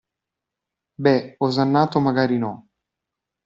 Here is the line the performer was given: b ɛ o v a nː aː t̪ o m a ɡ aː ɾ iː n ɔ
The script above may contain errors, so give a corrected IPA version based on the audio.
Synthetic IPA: b ɛ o z a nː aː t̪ o m a ɡ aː ɾ i n ɔ